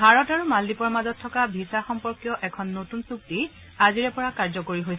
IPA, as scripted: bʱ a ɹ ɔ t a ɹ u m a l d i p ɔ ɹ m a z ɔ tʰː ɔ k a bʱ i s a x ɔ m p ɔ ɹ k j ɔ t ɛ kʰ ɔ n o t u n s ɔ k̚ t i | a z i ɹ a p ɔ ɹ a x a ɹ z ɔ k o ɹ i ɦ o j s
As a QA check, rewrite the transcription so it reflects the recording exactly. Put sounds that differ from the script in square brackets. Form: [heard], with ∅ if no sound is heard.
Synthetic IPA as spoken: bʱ a ɹ ɔ t a ɹ u m a l d i p ɔ ɹ m a z ɔ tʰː ɔ k a bʱ i s a x ɔ m p ɔ ɹ k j ɔ [ʔ] ɛ kʰ ɔ [nː] o t u n s [u] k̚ t i | a z i ɹ [ɛ] p ɔ ɹ a [k] a ɹ z ɔ k o ɹ i ɦ o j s